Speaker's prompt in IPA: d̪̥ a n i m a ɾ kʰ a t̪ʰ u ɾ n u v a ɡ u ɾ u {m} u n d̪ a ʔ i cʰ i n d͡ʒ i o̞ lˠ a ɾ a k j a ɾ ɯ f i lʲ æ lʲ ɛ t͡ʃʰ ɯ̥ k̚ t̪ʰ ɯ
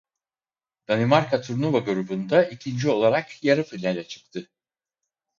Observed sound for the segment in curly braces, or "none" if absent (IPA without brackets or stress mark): b